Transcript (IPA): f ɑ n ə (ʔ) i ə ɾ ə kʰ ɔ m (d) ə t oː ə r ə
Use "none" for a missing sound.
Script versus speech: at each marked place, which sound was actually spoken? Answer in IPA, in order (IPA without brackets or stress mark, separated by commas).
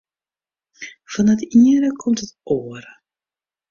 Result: t, t